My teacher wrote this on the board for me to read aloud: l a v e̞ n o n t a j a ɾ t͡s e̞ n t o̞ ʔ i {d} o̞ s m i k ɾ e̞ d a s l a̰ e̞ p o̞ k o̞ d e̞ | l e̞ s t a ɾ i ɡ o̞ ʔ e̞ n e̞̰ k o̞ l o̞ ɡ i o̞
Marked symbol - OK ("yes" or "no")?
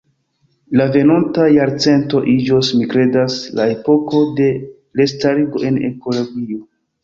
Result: no